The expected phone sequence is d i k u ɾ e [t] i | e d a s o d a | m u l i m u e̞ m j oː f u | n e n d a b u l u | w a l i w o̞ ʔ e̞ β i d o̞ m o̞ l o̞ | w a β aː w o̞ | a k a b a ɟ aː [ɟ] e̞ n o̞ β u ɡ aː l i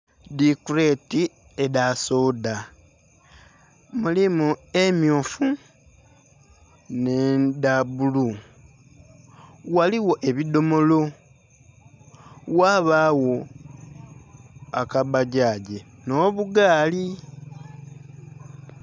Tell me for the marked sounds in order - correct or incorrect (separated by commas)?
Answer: correct, correct